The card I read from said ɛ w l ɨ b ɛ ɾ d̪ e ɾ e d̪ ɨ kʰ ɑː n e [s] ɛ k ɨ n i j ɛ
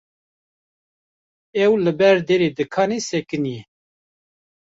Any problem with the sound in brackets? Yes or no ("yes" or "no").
no